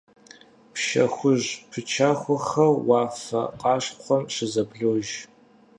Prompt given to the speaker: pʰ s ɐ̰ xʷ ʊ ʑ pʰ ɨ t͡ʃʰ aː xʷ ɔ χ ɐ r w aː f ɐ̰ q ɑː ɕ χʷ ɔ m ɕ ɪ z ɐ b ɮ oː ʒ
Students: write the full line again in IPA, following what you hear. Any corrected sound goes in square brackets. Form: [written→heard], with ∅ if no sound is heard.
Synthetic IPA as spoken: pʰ [s→ʃ] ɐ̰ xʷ ʊ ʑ pʰ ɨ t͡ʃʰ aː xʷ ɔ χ ɐ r w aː f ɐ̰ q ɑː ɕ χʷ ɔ m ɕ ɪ z ɐ b ɮ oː ʒ